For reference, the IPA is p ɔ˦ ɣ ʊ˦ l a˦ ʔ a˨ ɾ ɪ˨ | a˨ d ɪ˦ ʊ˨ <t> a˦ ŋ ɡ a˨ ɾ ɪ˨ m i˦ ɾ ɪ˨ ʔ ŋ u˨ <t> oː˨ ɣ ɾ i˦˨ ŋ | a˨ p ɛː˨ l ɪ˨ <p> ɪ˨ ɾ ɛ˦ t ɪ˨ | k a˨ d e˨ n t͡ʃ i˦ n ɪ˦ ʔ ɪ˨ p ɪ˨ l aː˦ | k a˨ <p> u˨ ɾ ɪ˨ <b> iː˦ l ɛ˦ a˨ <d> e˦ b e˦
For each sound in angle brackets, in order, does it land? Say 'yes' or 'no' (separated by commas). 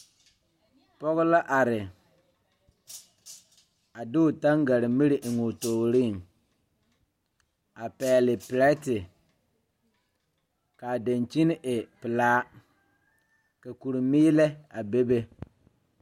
yes, yes, yes, no, no, no